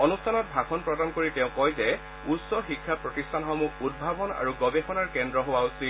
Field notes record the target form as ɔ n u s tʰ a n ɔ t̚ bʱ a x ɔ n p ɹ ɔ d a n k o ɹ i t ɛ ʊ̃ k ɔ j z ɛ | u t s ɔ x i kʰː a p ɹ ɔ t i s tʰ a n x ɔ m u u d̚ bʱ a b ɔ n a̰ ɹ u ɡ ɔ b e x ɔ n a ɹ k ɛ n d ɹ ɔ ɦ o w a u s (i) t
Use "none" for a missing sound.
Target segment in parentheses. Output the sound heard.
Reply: i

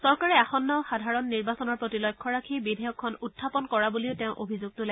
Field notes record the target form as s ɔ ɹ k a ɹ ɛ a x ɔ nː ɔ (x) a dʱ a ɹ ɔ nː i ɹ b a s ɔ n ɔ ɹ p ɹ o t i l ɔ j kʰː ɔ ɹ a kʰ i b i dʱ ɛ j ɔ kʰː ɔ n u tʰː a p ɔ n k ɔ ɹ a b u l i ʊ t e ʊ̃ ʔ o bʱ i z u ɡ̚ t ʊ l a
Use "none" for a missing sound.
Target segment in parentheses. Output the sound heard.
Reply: x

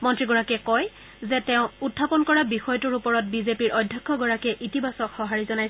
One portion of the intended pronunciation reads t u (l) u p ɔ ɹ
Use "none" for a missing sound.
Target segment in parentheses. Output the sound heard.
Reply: ɹ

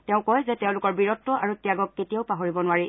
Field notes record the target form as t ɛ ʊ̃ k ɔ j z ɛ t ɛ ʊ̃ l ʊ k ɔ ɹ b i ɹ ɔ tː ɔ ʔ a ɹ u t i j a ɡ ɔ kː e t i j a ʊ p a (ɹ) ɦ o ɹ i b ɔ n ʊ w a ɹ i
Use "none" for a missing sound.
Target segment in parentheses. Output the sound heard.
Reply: none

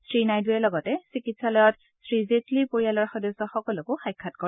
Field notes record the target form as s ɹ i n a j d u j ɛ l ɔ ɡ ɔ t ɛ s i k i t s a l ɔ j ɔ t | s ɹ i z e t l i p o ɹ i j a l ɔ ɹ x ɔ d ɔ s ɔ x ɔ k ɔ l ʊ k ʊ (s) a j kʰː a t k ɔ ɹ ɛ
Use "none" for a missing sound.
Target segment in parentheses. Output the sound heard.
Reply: x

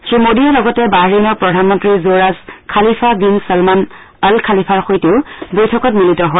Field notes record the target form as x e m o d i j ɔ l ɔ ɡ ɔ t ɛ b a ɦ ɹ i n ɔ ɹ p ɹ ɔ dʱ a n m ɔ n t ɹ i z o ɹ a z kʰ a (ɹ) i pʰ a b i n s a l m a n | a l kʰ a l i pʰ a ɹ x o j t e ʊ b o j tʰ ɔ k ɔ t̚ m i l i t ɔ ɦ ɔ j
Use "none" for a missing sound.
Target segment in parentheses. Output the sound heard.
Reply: l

